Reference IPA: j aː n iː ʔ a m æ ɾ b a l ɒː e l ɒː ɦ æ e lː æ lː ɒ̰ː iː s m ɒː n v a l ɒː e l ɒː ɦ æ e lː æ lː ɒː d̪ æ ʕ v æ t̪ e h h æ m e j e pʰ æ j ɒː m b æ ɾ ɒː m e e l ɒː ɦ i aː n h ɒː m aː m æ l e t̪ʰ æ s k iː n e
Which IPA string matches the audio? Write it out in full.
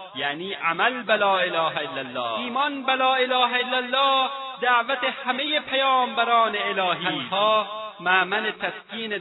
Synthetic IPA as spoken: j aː n iː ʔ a m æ l b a l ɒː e l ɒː ɦ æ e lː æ lː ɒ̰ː iː m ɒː n b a l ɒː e l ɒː ɦ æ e lː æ lː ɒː d̪ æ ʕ v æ t̪ e h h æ m e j e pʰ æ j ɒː m b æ ɾ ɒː n e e l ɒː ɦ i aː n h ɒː m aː m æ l e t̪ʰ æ s k iː n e